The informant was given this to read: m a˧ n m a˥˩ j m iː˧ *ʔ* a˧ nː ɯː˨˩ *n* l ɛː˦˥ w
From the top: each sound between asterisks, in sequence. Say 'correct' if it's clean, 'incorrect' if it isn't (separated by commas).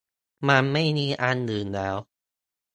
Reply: correct, correct